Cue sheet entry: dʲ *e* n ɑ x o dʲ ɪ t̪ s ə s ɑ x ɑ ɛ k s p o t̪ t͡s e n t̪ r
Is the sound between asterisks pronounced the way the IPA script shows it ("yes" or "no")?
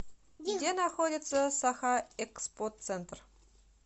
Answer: yes